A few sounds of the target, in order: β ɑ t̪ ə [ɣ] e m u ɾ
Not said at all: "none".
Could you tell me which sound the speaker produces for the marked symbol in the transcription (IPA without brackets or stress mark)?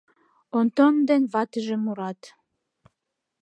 ʒ